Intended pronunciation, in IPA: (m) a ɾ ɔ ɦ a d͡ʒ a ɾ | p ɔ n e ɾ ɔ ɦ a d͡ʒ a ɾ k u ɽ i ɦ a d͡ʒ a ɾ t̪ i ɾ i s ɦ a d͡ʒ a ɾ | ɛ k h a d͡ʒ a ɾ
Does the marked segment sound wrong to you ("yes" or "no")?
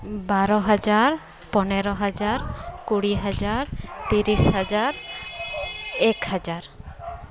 yes